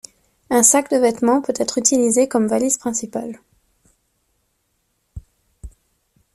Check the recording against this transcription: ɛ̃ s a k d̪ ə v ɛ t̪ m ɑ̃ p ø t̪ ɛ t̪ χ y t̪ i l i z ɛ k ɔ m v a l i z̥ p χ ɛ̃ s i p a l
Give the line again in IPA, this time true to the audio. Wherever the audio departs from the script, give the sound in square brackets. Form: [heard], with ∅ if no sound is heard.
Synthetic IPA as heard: ɛ̃ s a k d̪ ə v ɛ t̪ m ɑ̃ p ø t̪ ɛ t̪ χ y t̪ i l i z [e] k ɔ m v a l i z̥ p χ ɛ̃ s i p a l